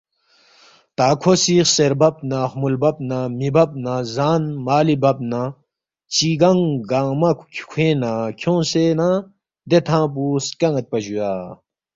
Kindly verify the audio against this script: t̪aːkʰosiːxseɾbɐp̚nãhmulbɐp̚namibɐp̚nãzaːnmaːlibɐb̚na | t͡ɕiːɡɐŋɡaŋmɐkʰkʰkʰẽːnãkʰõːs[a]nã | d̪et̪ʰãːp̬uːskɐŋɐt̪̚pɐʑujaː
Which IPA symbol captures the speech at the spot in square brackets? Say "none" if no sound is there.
e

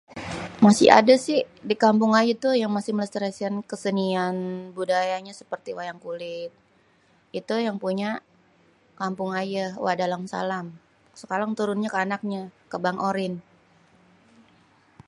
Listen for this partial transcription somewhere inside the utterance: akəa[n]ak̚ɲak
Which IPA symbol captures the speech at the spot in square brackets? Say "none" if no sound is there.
n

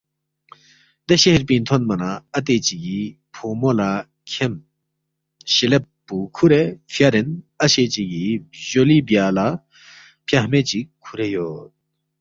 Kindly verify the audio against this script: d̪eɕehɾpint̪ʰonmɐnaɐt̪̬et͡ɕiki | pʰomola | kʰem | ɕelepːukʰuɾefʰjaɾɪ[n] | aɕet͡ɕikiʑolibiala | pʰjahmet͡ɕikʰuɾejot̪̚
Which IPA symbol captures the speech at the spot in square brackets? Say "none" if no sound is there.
n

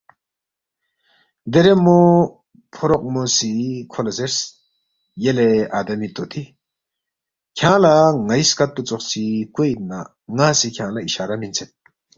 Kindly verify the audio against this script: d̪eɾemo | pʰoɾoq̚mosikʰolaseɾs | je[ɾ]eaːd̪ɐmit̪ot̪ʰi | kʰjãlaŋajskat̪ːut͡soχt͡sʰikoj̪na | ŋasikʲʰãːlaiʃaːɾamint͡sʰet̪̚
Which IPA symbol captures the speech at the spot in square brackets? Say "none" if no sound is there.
l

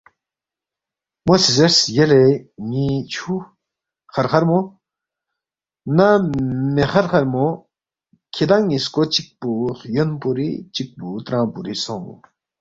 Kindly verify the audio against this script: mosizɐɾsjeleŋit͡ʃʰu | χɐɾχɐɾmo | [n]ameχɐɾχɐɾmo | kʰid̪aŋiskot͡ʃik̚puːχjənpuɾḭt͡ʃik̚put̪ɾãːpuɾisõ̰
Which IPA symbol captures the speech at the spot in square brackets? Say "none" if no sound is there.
n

